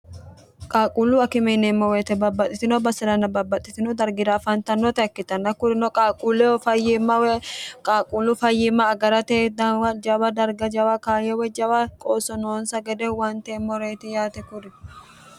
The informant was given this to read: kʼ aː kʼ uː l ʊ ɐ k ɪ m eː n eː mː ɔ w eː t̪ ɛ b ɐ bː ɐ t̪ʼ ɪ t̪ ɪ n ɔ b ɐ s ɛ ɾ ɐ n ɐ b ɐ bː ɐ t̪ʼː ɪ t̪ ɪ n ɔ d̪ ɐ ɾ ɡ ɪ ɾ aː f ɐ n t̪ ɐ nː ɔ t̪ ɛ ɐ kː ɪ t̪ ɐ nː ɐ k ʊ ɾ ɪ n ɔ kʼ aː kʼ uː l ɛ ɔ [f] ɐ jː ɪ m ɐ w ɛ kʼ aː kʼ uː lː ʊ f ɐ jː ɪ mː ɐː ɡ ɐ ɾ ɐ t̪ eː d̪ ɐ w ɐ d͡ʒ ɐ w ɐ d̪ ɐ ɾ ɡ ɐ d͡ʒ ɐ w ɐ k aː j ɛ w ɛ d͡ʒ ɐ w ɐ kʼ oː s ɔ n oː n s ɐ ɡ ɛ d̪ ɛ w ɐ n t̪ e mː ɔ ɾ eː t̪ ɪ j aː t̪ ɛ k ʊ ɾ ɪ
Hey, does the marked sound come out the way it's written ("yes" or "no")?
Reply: yes